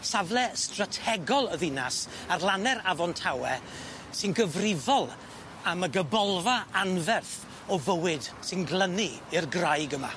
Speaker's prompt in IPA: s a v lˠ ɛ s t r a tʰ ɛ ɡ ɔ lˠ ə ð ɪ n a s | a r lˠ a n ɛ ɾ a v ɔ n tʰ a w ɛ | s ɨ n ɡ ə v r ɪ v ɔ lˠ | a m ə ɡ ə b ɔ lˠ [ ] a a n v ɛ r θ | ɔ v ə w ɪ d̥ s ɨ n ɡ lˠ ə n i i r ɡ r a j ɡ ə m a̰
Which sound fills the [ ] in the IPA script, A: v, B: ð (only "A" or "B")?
A